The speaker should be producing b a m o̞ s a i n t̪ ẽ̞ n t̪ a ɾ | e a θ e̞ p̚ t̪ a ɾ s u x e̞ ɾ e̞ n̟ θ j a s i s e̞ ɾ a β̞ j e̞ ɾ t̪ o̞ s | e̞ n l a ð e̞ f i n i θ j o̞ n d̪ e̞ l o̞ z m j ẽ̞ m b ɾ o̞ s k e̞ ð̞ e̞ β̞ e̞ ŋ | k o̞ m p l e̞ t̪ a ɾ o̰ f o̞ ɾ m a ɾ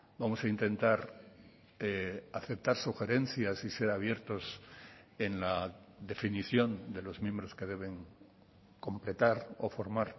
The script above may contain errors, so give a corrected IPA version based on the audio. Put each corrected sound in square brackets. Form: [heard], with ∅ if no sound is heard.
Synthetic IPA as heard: b a m o̞ s a i n t̪ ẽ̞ n t̪ a ɾ | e a θ e̞ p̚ t̪ a ɾ s u x e̞ ɾ e̞ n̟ θ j a s i s e̞ ɾ a β̞ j e̞ ɾ t̪ o̞ s | e̞ n l a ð e̞ f i n i θ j o̞ n d̪ e̞ l o̞ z m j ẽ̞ m b ɾ o̞ s k e̞ ð̞ e̞ β̞ e̞ ŋ | k o̞ m p l e̞ t̪ a ɾ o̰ f o̞ ɾ m a ɾ